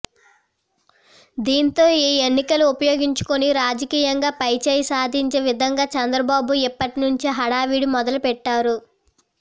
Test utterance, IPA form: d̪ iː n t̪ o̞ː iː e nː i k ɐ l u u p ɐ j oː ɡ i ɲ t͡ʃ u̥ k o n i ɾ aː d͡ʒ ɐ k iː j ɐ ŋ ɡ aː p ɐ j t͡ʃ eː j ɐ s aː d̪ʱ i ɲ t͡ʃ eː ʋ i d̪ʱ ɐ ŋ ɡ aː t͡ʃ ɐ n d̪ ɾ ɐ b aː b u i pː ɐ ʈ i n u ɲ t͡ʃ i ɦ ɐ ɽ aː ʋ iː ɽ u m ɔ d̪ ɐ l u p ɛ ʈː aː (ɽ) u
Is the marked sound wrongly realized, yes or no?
yes